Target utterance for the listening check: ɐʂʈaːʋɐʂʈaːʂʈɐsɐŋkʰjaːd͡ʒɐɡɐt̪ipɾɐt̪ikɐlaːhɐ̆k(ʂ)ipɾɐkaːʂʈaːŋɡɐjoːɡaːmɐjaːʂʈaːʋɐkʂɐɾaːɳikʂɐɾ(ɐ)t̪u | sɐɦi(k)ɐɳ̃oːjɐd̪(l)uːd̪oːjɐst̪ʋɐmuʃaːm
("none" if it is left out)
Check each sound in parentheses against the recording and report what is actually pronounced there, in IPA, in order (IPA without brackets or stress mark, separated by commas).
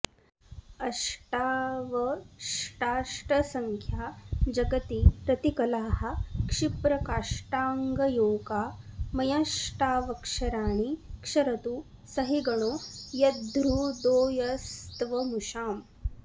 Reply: ʂ, ɐ, ɡ, ɾ